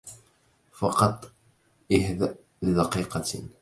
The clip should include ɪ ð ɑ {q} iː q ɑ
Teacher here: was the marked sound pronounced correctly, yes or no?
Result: yes